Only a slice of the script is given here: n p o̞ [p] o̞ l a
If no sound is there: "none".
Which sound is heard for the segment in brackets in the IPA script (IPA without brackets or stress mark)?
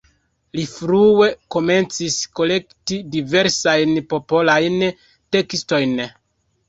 p